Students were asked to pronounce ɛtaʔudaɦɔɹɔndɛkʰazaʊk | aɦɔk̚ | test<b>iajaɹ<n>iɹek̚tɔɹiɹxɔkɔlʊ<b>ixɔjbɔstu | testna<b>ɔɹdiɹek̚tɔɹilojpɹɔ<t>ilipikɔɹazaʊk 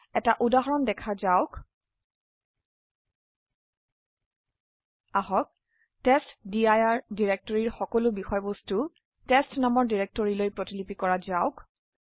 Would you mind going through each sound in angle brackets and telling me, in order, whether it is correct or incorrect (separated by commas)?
incorrect, incorrect, correct, incorrect, correct